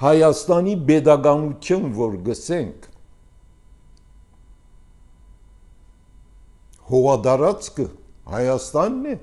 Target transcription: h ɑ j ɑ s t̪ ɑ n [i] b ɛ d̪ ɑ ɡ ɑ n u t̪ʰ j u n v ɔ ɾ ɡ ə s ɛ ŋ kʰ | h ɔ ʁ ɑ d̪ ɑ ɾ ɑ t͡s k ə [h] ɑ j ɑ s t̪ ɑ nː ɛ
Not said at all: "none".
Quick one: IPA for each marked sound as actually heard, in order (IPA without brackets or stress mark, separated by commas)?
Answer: i, h